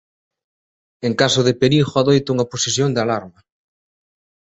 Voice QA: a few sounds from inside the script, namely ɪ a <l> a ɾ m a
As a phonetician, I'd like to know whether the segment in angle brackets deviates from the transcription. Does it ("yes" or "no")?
no